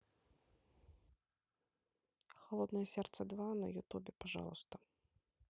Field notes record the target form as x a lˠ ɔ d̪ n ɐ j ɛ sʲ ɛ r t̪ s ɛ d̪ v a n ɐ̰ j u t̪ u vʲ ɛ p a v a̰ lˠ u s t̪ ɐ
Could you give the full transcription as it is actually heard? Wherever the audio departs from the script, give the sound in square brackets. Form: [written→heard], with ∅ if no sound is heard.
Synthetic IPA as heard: x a lˠ ɔ d̪ n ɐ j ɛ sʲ ɛ r t̪ s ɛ d̪ v a n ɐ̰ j u t̪ u [vʲ→bʲ] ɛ p a [v→ʐ] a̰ lˠ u s t̪ ɐ